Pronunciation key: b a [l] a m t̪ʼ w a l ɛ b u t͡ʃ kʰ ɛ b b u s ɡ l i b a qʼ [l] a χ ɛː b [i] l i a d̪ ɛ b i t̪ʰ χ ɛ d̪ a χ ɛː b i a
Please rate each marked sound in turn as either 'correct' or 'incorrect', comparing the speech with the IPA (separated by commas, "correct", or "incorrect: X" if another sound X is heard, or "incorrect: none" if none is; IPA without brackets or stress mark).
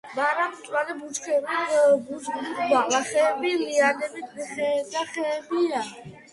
incorrect: ɾ, correct, correct